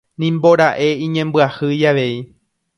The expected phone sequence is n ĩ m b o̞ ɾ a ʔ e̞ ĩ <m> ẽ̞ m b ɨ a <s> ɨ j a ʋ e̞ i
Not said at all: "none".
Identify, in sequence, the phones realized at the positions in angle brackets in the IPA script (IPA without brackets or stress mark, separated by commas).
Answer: ɲ, h